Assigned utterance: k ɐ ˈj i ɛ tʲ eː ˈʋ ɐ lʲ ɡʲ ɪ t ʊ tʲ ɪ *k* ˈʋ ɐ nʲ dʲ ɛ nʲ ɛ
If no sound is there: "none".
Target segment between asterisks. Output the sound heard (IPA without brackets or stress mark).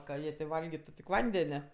k